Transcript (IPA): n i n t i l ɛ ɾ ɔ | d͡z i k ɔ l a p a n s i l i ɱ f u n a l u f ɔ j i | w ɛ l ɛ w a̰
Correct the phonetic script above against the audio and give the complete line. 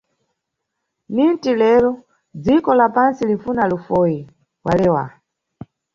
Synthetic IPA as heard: n i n t i l ɛ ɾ ɔ | d͡z i k ɔ l a p a n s i l i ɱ f u n a l u f ɔ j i | w a l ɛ w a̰